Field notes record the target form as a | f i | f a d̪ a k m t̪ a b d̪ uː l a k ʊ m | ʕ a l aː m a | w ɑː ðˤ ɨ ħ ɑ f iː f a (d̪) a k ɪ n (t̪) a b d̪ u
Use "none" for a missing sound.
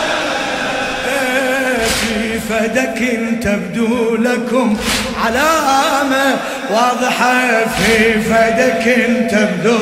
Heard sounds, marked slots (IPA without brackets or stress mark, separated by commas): d̪, t̪